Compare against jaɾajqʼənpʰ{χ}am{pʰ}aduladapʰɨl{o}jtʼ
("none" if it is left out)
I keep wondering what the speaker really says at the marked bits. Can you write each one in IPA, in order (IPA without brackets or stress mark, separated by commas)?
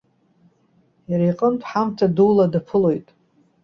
ħ, tʰ, o